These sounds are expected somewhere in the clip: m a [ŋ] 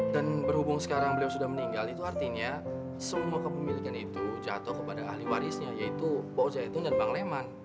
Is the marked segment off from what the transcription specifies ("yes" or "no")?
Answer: yes